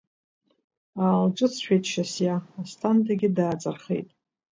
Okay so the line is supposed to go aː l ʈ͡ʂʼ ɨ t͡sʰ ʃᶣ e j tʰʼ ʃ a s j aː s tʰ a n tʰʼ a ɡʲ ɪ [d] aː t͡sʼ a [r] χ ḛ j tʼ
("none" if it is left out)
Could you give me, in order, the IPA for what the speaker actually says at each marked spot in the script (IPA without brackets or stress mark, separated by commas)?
d, r